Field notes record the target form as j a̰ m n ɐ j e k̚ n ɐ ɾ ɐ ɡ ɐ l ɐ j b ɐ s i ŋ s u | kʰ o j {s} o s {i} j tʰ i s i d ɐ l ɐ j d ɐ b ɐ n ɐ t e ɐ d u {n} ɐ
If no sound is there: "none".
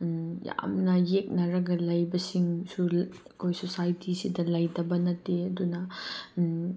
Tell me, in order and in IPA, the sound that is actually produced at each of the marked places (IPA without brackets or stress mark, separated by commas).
s, a, n